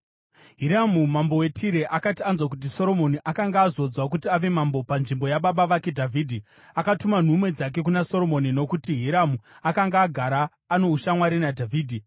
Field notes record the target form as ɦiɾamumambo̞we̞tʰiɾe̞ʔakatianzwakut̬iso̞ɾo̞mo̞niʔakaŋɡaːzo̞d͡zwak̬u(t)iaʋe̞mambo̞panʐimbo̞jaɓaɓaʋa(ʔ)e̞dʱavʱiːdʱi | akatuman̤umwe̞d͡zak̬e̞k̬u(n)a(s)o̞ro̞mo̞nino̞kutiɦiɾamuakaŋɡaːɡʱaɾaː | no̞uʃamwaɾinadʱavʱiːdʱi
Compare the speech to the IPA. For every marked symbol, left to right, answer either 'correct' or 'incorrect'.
correct, incorrect: k, correct, correct

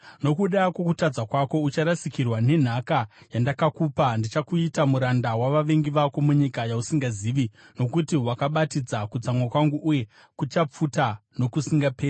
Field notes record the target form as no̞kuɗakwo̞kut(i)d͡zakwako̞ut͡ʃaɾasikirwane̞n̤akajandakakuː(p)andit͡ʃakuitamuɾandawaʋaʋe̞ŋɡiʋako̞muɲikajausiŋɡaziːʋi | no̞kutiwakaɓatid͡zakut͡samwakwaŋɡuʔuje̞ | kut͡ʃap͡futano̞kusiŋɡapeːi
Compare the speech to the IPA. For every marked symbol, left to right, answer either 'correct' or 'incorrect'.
incorrect: a, correct

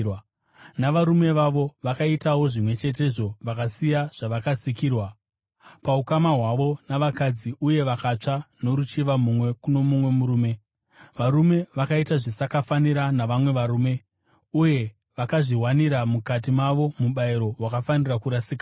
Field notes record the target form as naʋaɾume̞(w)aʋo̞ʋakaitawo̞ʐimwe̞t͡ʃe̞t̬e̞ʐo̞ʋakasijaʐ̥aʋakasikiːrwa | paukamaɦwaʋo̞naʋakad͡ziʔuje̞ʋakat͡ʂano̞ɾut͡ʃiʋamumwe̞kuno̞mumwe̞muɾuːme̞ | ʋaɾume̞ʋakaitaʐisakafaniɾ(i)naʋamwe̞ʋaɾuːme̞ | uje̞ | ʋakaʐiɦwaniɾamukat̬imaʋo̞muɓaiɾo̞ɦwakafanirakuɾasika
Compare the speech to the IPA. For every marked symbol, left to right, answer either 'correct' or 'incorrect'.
incorrect: ʋ, incorrect: a

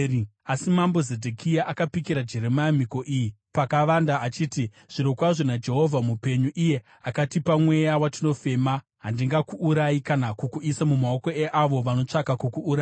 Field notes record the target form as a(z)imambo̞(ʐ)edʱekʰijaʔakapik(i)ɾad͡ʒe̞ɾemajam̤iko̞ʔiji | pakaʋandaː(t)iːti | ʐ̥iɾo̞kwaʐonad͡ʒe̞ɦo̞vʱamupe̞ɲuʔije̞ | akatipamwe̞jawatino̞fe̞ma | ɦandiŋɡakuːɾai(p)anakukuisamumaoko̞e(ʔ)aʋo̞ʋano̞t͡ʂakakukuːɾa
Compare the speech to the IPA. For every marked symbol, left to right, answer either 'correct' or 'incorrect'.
incorrect: s, incorrect: z, correct, incorrect: t͡ʃ, incorrect: k, correct

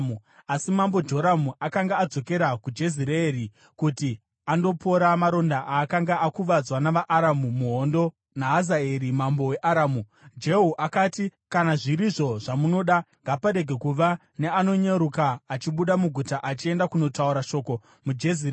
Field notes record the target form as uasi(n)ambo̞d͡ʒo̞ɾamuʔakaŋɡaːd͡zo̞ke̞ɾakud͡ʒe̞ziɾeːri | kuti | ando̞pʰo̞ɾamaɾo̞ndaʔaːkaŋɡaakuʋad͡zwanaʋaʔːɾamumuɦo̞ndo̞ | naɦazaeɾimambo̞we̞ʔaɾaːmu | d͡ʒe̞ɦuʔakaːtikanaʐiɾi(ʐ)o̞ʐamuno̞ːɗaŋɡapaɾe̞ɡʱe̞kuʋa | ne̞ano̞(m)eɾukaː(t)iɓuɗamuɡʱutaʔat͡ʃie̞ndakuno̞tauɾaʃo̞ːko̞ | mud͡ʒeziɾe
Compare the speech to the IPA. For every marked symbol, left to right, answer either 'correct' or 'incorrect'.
incorrect: m, correct, incorrect: ɲ, incorrect: t͡ʃ

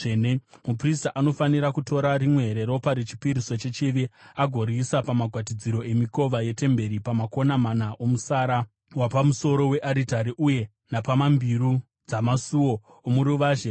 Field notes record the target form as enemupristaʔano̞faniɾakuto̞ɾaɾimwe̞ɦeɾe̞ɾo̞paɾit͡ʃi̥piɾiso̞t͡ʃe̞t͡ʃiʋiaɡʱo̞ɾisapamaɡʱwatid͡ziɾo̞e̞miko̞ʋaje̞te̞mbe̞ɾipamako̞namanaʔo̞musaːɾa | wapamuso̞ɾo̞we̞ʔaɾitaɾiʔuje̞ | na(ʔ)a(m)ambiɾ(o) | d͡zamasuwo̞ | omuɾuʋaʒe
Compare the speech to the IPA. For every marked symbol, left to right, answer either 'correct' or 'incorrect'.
incorrect: p, correct, incorrect: u

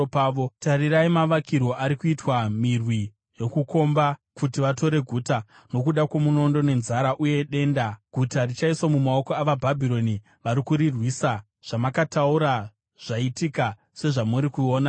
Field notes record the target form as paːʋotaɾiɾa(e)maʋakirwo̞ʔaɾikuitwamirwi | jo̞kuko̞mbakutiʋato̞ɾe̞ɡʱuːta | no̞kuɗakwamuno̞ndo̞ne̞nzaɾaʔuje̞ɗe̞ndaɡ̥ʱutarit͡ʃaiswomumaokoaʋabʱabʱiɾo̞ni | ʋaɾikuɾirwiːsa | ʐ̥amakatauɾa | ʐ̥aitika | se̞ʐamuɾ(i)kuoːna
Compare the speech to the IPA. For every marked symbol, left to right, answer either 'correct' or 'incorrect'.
incorrect: i, correct

